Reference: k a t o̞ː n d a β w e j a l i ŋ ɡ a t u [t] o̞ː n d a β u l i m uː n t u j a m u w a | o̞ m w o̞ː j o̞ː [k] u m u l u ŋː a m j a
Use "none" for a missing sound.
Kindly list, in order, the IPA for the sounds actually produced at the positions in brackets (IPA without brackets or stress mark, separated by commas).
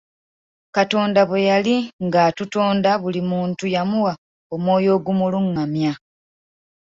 t, ɡ